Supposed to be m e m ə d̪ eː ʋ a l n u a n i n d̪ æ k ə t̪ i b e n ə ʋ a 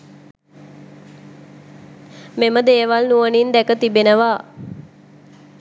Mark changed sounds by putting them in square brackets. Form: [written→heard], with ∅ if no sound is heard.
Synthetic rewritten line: m e m ə d̪ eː ʋ a l n u [a→ə] n i n d̪ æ k ə t̪ i b e n ə ʋ a

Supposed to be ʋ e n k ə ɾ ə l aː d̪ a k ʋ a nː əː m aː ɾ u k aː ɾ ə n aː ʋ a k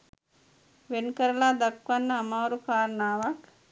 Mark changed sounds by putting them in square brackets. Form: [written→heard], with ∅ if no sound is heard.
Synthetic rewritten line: ʋ e n k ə ɾ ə l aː d̪ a k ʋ a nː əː m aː ɾ u k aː ɾ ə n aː ʋ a k

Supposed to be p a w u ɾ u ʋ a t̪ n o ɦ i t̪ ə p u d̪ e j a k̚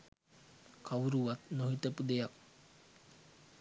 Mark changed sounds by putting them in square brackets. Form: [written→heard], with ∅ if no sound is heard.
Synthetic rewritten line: [p→k] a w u ɾ u ʋ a t̪ n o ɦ i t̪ ə p u d̪ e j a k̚

